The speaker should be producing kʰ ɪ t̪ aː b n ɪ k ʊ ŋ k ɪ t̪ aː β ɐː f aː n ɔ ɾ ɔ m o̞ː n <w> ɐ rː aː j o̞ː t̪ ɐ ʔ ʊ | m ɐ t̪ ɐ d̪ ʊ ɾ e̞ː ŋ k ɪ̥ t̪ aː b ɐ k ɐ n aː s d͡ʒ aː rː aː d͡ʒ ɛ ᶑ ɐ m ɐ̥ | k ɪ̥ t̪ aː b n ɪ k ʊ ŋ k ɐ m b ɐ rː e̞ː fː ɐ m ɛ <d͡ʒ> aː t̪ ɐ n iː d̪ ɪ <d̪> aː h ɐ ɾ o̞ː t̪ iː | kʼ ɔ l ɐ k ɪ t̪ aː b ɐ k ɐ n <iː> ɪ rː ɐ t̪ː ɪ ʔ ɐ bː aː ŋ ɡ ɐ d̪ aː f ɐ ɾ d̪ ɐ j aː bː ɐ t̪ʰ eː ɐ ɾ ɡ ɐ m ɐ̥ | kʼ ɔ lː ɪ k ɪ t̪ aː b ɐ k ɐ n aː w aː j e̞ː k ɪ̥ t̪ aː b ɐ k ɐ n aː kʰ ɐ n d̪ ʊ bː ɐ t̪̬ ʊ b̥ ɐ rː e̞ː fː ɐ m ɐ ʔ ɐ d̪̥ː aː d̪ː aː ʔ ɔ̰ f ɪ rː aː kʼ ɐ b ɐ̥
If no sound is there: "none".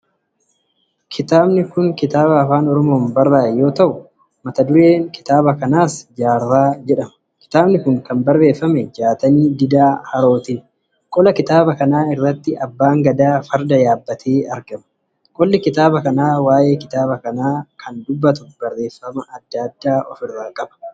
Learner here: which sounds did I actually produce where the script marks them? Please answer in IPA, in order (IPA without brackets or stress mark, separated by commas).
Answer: b, d͡ʒ, d̪, aː